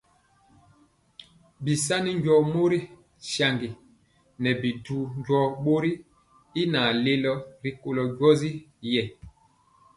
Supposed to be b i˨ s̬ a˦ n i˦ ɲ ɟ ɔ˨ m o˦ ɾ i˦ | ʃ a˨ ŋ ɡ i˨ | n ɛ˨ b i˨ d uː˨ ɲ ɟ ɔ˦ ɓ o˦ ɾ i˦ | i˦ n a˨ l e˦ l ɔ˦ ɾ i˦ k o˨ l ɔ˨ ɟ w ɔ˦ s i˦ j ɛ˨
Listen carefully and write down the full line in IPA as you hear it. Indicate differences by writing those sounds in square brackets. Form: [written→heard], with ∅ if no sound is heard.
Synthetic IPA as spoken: b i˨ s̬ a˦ n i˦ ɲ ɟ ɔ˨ m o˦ ɾ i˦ | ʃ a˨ ŋ ɡ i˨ | n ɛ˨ b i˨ d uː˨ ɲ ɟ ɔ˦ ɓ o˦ ɾ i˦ | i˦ n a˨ l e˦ l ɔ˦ ɾ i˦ k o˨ l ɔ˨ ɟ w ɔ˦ [s→z] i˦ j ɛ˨